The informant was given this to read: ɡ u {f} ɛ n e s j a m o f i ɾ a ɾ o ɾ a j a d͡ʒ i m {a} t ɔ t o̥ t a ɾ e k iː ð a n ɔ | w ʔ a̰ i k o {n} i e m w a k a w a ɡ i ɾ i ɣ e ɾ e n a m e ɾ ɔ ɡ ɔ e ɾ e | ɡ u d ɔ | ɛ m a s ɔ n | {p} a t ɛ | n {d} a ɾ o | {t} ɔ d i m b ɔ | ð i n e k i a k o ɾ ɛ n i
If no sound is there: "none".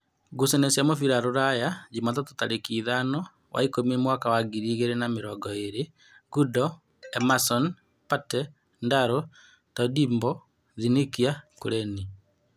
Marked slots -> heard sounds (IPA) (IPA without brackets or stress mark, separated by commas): s, a, m, p, d, t